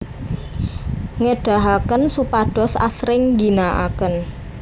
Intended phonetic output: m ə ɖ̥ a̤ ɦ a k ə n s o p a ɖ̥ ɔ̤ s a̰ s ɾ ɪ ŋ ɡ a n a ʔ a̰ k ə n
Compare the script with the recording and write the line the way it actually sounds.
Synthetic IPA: ŋ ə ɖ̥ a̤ ɦ a k ə n s u p a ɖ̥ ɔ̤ s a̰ s ɾ ɪ ŋ ɡ i n a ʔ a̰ k ə n